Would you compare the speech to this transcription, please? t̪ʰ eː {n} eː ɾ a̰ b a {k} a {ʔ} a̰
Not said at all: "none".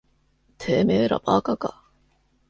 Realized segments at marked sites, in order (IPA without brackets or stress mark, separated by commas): m, k, k